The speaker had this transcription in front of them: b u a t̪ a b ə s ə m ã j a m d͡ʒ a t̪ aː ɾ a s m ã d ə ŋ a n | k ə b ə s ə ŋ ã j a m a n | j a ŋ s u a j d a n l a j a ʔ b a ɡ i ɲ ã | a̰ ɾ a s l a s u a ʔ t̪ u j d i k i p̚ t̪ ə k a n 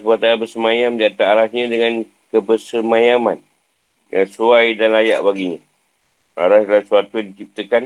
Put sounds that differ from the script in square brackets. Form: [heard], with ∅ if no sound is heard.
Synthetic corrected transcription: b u a t̪ a b ə s ə m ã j a m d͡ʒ a t̪ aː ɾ a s [ɲ] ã d ə ŋ a n | k ə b ə s ə [m] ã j a m a n | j a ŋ s u a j d a n l a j a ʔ b a ɡ i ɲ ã | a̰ ɾ a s l a s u a [∅] t̪ u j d i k i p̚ t̪ ə k a n